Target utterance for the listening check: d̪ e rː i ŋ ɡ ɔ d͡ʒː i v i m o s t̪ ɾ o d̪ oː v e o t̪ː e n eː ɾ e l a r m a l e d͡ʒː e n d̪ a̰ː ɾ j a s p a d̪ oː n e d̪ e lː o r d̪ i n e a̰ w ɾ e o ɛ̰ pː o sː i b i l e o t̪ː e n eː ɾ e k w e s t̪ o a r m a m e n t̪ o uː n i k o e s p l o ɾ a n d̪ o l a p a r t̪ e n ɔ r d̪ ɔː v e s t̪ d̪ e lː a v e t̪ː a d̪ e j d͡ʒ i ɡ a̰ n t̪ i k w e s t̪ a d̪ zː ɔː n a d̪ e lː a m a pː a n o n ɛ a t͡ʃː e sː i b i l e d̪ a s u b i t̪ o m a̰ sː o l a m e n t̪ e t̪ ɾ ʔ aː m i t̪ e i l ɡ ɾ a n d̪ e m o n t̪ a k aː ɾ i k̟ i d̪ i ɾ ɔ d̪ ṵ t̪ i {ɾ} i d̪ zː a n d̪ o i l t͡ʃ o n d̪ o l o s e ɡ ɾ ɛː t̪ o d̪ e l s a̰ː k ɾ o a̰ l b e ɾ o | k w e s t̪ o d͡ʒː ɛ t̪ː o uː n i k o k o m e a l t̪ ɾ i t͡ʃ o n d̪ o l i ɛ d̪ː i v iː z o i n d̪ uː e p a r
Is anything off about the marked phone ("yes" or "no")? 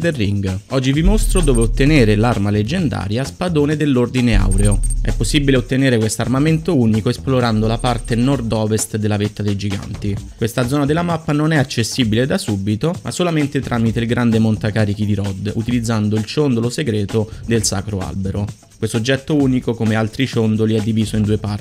yes